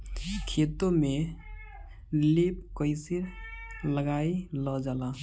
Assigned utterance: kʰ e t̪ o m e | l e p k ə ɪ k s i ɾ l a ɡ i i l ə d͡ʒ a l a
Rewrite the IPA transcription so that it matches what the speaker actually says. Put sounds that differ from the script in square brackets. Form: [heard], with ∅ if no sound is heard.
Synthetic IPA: kʰ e t̪ o m e | l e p k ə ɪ [∅] s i ɾ l [ə] ɡ [a] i l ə d͡ʒ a l a